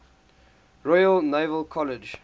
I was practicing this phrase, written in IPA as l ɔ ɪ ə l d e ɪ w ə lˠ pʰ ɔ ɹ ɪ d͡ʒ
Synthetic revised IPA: ɹ ɔ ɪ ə l n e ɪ v ə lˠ kʰ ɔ l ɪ d͡ʒ